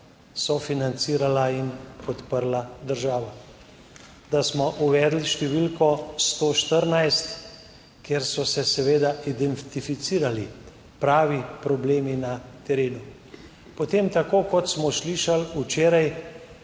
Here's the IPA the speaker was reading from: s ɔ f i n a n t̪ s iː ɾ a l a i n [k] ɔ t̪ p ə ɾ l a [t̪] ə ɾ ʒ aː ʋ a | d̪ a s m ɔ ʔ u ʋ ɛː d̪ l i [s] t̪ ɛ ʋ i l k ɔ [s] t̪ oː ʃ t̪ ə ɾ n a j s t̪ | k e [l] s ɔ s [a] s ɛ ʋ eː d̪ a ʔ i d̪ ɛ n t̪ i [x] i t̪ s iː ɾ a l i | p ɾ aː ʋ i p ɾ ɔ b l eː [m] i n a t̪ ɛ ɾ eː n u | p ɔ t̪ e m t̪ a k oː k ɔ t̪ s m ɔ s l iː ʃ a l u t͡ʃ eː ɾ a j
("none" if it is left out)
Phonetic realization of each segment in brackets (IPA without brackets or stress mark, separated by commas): p, d̪, ʃ, s, ɾ, ɛ, f, m